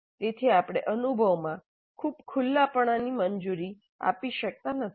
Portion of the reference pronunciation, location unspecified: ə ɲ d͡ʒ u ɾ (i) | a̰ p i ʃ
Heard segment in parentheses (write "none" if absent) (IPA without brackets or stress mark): i